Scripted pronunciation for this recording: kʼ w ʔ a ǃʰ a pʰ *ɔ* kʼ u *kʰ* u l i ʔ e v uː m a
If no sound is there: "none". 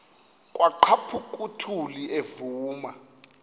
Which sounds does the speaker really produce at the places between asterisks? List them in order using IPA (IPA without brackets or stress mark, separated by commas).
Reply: u, tʰ